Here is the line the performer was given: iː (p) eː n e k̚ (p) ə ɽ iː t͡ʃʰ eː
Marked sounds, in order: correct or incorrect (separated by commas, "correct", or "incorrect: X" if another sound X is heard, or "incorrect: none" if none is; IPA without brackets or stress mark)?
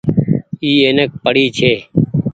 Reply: incorrect: none, correct